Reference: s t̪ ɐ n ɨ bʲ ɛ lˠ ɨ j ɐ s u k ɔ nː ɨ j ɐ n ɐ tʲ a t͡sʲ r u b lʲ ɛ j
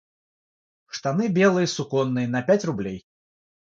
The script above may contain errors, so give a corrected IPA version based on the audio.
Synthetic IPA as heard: ʂ t̪ a n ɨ bʲ ɛ lˠ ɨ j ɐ s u k ɔ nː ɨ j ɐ n ɐ pʲ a t͡sʲ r u b lʲ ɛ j